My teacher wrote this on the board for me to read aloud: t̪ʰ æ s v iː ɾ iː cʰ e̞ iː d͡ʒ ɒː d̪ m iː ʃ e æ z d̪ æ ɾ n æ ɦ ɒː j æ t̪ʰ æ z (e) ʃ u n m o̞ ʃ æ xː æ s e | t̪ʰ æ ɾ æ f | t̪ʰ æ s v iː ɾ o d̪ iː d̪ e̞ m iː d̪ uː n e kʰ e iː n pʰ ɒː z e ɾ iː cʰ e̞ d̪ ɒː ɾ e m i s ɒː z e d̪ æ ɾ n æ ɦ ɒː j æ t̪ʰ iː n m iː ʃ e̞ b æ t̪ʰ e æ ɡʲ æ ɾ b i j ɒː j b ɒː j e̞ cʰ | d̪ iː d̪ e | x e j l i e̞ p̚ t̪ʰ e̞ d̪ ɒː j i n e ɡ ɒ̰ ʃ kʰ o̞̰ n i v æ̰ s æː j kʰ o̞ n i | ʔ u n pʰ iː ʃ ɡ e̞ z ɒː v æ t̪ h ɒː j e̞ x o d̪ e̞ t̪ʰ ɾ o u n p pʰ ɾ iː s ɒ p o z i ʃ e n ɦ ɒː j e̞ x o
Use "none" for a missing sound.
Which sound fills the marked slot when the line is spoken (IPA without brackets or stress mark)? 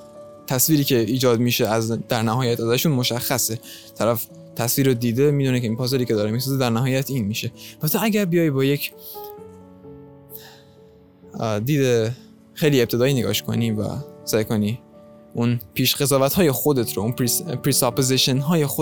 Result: æ